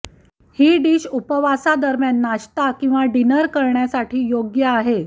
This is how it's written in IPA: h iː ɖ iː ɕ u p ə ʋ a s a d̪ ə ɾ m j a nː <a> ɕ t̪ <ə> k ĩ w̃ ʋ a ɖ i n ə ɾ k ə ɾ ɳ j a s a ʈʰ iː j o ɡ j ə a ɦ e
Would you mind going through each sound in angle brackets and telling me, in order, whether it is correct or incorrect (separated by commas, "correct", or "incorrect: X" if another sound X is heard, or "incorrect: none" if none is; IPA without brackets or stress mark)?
correct, incorrect: a